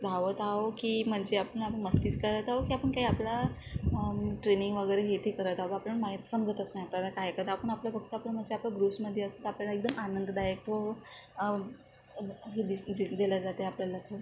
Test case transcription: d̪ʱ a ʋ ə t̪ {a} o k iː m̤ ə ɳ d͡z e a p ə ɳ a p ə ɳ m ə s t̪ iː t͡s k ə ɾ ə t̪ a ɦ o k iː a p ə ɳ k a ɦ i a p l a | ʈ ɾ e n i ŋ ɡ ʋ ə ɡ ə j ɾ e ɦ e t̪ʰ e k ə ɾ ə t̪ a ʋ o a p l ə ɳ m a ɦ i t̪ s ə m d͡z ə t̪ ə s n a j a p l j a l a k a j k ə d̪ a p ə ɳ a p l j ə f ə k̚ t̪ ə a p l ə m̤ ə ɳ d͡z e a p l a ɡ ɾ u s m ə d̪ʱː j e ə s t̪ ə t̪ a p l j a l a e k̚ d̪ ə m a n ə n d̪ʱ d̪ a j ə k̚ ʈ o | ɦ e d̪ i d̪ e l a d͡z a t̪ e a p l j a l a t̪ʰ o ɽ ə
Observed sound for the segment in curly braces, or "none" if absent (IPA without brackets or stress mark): a